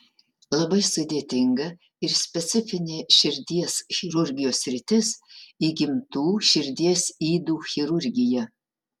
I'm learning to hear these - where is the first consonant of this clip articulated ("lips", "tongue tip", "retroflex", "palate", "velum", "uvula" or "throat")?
tongue tip